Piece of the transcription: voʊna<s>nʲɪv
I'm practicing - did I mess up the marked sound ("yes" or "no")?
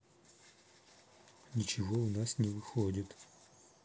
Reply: no